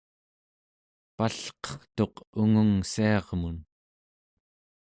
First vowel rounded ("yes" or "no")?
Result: no